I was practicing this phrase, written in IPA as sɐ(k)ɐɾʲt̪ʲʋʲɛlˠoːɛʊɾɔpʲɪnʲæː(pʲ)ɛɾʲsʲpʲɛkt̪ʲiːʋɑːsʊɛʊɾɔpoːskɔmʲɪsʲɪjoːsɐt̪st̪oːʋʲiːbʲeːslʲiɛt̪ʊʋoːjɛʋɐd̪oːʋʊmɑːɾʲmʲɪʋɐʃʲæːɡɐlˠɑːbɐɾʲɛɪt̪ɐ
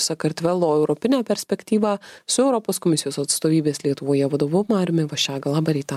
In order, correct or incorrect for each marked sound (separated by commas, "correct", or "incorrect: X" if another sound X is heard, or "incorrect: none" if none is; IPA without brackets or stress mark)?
correct, correct